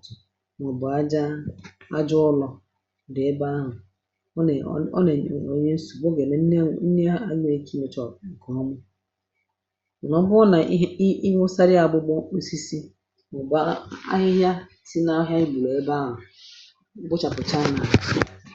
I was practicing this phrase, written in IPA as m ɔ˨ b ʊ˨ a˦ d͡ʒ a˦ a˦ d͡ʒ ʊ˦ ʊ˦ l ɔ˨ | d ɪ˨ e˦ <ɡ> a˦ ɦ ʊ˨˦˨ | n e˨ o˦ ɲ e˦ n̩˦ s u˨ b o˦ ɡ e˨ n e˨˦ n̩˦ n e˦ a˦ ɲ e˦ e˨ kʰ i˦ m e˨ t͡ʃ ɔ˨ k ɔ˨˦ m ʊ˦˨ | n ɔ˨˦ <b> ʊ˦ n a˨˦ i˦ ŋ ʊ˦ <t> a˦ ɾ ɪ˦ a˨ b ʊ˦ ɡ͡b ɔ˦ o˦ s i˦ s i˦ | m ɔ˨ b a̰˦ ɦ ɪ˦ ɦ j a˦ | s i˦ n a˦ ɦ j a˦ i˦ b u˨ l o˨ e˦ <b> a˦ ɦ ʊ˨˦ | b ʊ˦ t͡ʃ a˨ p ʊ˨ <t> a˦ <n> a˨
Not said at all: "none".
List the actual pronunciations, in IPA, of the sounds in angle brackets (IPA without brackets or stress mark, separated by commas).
b, b, s, b, t͡ʃ, n